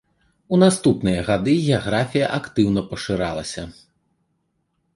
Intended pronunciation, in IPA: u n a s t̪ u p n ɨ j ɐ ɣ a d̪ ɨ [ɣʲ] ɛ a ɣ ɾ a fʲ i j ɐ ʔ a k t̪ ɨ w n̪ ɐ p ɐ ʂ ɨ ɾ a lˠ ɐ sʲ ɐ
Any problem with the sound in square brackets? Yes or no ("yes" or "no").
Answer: no